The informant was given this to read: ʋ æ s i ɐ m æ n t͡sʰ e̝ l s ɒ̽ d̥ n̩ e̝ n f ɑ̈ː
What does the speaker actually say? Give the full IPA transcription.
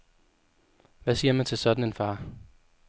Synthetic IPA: ʋ æ s i ɐ m æ n t͡sʰ e̝ l s ɒ̽ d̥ n̩ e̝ n f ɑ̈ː

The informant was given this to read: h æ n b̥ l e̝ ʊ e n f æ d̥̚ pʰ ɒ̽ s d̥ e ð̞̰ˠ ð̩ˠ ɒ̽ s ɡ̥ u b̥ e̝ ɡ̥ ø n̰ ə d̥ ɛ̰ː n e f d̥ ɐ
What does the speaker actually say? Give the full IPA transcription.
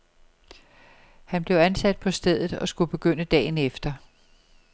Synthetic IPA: h æ n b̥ l e̝ ʊ æ n s æ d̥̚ pʰ ɒ̽ s d̥ e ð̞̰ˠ ð̩ˠ ɒ̽ s ɡ̥ u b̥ e̝ ɡ̥ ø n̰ ə d̥ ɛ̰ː n e f d̥ ɐ

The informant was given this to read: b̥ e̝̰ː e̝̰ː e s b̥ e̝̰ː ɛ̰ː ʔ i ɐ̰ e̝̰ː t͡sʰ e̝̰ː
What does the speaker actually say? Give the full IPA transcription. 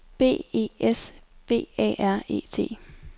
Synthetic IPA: b̥ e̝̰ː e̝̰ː e s b̥ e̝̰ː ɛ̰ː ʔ æ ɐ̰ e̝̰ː t͡sʰ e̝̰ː

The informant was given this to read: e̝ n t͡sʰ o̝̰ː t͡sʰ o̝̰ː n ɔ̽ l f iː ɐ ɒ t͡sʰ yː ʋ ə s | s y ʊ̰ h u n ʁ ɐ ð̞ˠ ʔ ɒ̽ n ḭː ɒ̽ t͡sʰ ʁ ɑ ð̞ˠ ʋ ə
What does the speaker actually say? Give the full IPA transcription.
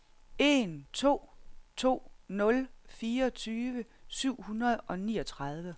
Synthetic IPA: e̝ n t͡sʰ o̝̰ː t͡sʰ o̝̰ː n ɔ̽ l f iː ɐ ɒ t͡sʰ yː ʋ ə | s y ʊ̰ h u n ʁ ɐ ð̞ˠ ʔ ɒ̽ n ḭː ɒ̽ t͡sʰ ʁ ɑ ð̞ˠ ʋ ə

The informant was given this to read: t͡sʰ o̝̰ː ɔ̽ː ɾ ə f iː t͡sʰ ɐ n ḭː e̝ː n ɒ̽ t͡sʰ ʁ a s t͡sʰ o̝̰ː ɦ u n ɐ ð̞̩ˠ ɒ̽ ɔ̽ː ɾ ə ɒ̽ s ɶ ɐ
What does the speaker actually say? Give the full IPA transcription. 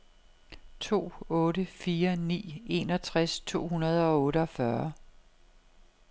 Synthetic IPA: t͡sʰ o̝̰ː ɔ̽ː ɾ ə f iː ɐ n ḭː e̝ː n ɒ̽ t͡sʰ ʁ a s t͡sʰ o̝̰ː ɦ u n ɐ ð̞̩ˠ ɒ̽ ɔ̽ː ɾ ə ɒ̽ f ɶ ɐ

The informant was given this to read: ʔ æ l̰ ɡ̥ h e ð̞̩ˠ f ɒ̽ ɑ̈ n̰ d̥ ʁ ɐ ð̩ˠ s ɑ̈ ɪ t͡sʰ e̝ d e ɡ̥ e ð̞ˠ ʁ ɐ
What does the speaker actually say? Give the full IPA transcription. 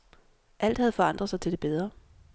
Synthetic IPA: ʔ æ l̰ d̥ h æ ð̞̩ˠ f ɒ̽ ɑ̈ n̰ d̥ ʁ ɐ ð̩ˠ s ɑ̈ ɪ t͡sʰ e̝ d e b̥ e ð̞ˠ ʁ ɐ

